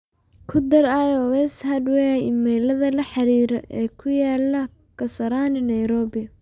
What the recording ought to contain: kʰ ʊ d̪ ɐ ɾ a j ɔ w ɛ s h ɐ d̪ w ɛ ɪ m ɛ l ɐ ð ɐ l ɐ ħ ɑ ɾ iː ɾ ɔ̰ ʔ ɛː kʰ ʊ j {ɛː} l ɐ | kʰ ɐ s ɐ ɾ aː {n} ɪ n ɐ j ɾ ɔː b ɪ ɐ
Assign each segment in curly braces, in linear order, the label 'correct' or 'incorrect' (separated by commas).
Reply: incorrect, correct